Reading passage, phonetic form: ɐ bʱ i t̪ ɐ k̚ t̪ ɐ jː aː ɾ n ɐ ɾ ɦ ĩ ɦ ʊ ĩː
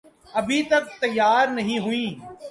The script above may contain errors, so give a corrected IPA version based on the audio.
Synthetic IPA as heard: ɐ bʱ i t̪ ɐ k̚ t̪ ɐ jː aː ɾ n ɐ ɦ ĩ ɦ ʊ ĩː